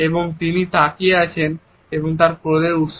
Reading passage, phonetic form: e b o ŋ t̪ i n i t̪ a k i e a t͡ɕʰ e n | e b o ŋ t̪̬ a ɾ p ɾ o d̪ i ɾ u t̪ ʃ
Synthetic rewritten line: e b o ŋ t̪ i n i t̪ a k i e a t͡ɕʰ e n | e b o ŋ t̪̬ a ɾ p ɾ o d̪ e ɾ u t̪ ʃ

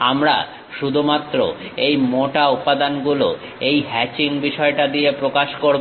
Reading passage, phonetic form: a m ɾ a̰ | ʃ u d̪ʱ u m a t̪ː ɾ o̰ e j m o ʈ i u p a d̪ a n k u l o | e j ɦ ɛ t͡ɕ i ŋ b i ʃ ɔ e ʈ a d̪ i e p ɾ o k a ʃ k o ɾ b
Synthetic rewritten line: a m ɾ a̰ | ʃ u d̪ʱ u m a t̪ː ɾ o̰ e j m o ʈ a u p a d̪ a n ɡ u l o | e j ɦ ɛ t͡ɕ i ŋ b i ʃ ɔ e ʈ a d̪ i e p ɾ o k a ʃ k o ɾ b

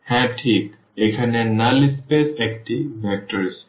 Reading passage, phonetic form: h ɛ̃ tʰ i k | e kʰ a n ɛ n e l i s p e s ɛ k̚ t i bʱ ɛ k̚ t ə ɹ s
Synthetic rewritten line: h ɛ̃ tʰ i k | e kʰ a n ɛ n a l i s p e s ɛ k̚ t i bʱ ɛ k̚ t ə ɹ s

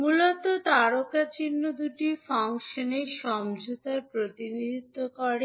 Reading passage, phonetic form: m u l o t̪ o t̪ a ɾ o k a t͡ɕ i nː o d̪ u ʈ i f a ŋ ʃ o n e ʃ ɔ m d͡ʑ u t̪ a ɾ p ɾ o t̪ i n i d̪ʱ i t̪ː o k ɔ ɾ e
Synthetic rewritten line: m u l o t̪ o t̪ a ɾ o k a t͡ɕ i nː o d̪ u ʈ i f a ŋ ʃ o n e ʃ ɔ m d͡ʑ u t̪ a ɾ p ɾ o t̪ i n i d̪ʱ i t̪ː o k ɔ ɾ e

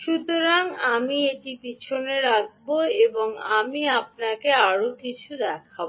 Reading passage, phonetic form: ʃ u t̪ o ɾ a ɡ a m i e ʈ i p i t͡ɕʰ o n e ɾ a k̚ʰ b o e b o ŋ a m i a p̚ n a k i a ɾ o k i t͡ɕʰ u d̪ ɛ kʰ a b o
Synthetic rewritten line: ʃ u t̪ o ɾ a ŋ a m i e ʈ i p i t͡ɕʰ o n e ɾ a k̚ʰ b o e b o ŋ a m i a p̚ n a k e a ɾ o k i t͡ɕʰ u d̪ ɛ kʰ a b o

